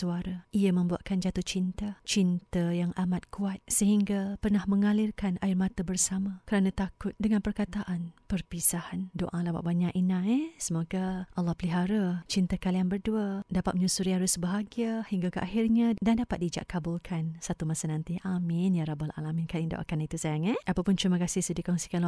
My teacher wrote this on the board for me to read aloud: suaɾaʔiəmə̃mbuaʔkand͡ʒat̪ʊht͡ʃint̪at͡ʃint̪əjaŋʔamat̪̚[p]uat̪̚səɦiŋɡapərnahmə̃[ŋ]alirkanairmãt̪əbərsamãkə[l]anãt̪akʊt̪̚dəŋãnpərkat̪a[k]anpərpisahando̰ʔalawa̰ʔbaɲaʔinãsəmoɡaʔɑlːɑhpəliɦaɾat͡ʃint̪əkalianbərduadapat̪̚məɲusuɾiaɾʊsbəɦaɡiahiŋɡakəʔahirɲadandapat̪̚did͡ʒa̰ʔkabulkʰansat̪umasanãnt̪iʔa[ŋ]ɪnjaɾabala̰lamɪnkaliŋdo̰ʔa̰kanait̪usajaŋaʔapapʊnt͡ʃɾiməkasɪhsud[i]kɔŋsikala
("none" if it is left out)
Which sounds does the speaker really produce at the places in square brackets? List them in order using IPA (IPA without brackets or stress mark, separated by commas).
k, ŋ, ɾ, ʔ, m, i